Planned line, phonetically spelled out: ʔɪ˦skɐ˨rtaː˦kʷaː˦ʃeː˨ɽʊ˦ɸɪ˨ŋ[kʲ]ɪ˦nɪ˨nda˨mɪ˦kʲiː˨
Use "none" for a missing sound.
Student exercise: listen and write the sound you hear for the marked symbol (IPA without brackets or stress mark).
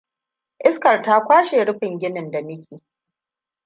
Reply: ɡʲ